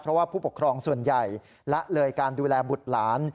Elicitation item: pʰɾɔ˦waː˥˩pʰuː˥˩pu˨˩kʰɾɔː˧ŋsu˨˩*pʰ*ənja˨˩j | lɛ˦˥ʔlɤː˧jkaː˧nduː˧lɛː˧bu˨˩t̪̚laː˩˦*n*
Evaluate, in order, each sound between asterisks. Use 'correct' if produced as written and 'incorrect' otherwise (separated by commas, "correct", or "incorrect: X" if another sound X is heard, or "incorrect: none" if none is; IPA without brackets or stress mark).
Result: incorrect: none, correct